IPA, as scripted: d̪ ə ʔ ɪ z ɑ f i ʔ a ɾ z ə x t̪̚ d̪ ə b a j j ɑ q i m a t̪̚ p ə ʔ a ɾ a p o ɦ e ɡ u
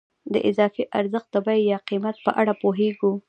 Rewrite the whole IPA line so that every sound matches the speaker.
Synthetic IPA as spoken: d̪ ə ʔ ɪ z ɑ f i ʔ a ɾ z ə x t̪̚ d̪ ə b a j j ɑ q i m a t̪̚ p ə ʔ a ɽ a p o ɦ e ɡ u